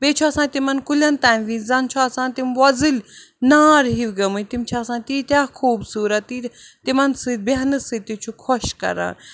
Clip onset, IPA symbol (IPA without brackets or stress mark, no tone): b